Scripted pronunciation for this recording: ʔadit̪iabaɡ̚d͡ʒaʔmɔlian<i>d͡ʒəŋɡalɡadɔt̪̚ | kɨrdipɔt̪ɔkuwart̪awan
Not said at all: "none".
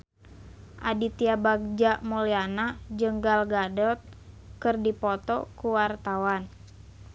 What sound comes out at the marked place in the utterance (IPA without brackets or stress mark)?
a